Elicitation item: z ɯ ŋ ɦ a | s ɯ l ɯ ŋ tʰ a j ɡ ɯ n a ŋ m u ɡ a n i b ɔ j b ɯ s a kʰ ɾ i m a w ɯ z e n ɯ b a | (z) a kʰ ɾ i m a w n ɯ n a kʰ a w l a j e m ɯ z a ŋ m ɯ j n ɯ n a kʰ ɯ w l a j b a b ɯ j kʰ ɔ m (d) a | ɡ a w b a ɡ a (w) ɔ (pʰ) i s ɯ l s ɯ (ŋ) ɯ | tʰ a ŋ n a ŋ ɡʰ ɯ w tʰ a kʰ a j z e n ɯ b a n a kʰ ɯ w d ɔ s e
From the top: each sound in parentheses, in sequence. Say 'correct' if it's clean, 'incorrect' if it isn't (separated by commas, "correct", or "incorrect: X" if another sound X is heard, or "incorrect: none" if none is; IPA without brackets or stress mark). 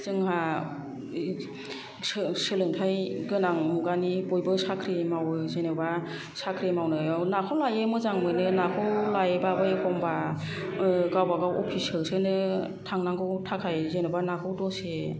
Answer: incorrect: s, incorrect: b, correct, correct, incorrect: n